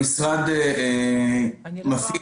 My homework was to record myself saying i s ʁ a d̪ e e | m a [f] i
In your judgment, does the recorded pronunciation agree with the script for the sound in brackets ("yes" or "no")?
yes